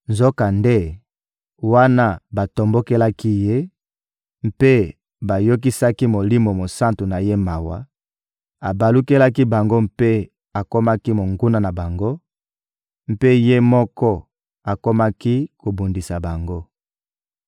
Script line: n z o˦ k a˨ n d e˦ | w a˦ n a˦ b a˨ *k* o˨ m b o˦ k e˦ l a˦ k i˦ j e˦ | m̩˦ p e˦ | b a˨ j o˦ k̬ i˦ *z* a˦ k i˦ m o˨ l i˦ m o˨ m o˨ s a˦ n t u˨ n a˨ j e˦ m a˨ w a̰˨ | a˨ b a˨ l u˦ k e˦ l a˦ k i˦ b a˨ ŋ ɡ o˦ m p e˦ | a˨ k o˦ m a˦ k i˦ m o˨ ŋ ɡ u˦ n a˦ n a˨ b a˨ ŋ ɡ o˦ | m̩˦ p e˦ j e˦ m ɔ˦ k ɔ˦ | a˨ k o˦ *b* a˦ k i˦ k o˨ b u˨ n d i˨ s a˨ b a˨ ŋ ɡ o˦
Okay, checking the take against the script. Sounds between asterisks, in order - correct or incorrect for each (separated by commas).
incorrect, incorrect, incorrect